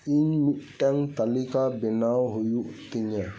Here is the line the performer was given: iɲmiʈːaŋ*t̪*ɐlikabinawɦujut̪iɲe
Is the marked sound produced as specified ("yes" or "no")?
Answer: yes